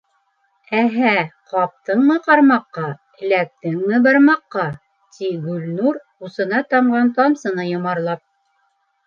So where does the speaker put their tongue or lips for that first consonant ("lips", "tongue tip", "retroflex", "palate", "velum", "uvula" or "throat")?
throat